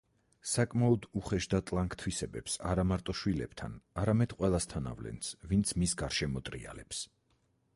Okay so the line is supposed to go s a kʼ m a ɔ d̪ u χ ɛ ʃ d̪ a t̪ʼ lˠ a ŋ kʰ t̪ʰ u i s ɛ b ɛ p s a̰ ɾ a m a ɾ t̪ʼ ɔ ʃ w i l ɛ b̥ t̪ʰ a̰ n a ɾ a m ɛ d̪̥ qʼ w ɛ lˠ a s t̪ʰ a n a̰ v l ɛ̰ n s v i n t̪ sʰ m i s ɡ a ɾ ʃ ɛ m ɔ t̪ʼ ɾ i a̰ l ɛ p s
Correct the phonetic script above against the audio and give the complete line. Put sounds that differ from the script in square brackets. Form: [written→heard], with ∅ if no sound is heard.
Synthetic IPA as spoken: s a kʼ m a ɔ d̪ u χ ɛ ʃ d̪ a t̪ʼ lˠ a ŋ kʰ t̪ʰ [u→w] i s ɛ b ɛ p s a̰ ɾ a m a ɾ t̪ʼ ɔ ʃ w i l ɛ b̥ t̪ʰ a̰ n a ɾ a m ɛ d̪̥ qʼ w ɛ lˠ a s t̪ʰ a n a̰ v l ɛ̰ n s v i n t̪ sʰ m i s ɡ a ɾ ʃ ɛ m ɔ t̪ʼ ɾ i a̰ l ɛ p s